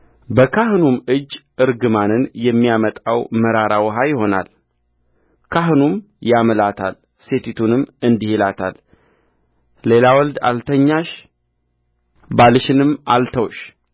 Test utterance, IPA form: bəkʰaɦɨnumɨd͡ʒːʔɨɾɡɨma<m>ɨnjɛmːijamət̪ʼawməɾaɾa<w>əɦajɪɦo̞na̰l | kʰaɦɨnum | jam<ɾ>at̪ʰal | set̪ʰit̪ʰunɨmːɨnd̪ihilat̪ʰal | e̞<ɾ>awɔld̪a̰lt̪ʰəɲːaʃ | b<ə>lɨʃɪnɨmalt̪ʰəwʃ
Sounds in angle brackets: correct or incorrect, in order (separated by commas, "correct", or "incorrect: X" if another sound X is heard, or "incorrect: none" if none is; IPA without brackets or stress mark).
incorrect: n, correct, incorrect: l, incorrect: l, incorrect: a